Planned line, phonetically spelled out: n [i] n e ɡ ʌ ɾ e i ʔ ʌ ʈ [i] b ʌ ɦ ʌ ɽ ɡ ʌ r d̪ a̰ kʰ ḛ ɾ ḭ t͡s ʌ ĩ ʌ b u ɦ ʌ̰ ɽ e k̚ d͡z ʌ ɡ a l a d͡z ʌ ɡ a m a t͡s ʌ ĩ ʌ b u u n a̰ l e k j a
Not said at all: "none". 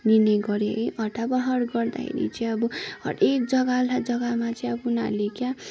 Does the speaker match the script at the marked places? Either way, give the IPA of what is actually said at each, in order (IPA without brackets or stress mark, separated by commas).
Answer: i, a